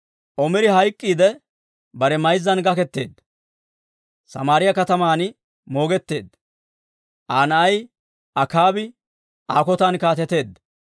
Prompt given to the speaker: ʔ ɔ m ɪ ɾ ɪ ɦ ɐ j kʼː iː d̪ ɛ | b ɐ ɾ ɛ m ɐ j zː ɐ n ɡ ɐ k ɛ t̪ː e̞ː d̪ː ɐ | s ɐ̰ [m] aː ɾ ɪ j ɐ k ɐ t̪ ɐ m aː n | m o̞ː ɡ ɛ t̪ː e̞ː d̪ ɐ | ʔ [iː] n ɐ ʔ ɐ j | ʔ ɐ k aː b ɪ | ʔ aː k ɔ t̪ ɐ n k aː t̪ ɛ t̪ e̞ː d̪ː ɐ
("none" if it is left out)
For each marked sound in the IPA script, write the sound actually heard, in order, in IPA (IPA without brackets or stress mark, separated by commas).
m, aː